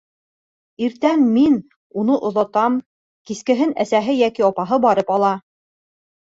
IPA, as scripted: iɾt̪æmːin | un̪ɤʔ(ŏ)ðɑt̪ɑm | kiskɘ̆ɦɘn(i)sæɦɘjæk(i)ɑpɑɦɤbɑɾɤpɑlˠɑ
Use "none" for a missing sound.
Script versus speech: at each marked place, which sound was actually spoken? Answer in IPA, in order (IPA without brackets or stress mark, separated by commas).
ŏ, æ, i